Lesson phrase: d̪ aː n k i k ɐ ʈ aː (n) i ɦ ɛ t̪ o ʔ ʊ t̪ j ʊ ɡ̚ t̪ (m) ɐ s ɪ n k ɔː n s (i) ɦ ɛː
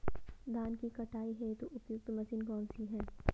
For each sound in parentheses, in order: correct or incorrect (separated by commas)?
incorrect, correct, correct